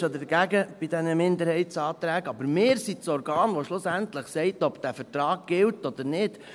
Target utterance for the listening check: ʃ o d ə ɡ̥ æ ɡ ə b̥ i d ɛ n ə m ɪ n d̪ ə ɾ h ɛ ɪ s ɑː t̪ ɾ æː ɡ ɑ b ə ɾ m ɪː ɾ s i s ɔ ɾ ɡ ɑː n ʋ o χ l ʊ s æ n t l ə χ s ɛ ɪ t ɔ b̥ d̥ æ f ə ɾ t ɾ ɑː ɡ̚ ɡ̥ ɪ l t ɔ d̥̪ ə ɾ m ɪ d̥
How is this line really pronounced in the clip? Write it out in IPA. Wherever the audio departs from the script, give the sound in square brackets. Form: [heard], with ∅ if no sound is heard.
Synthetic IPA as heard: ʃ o d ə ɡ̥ æ ɡ ə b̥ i d ɛ n ə m ɪ n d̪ ə ɾ h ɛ ɪ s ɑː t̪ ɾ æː ɡ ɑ b ə ɾ m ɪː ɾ s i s ɔ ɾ ɡ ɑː n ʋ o [ʃ] l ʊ s æ n t l ə χ s ɛ ɪ t ɔ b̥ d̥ æ f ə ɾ t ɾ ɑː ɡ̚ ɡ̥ ɪ l t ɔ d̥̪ ə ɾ [n] ɪ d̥